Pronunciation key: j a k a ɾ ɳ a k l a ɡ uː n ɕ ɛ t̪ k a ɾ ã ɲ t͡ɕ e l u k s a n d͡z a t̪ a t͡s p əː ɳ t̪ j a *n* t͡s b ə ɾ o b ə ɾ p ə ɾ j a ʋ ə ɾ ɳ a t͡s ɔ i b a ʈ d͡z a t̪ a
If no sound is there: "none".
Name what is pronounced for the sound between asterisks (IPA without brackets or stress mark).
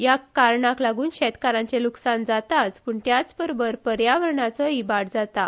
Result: none